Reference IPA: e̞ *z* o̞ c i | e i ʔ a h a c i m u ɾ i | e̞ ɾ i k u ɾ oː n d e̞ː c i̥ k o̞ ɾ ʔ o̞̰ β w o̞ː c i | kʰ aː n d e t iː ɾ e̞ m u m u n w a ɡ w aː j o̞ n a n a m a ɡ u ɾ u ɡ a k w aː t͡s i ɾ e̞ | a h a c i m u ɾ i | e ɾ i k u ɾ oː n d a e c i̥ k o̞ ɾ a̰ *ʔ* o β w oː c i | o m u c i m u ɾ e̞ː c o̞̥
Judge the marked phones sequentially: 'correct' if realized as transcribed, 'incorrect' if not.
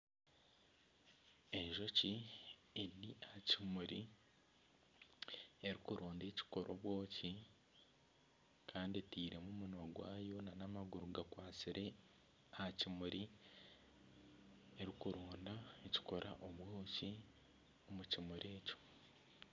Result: incorrect, correct

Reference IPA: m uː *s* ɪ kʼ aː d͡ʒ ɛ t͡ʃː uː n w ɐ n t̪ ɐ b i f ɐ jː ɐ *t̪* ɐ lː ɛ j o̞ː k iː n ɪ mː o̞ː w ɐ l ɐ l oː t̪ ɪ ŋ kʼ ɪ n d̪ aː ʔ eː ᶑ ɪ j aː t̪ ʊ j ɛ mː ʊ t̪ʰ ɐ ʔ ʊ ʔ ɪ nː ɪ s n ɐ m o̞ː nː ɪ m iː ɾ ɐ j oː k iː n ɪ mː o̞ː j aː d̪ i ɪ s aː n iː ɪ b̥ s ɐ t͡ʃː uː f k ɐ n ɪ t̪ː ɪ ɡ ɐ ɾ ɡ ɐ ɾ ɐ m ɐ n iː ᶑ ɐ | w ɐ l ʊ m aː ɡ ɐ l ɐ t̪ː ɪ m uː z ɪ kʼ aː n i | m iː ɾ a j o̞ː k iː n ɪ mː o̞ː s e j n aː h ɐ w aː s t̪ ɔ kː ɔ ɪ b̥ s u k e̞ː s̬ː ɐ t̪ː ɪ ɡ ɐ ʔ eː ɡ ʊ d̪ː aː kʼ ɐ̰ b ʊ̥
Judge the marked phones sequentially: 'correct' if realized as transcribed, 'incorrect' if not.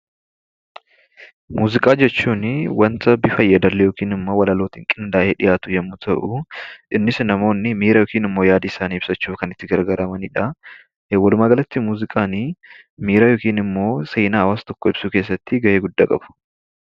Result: incorrect, incorrect

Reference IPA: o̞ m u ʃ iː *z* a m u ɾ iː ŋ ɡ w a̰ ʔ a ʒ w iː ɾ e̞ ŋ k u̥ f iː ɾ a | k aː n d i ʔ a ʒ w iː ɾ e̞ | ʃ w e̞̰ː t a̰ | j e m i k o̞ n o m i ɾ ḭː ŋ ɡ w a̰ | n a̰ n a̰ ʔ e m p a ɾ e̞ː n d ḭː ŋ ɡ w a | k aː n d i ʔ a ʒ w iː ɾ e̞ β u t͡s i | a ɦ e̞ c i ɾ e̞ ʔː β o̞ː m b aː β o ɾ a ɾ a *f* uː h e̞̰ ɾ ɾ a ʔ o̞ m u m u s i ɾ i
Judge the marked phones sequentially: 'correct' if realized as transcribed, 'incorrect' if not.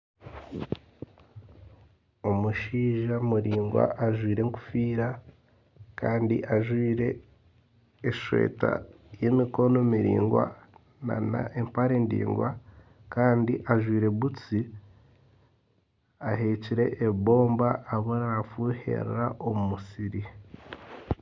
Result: incorrect, correct

